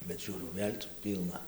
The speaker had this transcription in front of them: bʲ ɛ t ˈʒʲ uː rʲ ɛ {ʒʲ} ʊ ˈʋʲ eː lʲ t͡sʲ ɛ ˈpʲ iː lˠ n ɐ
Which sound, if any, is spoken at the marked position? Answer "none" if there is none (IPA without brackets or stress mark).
none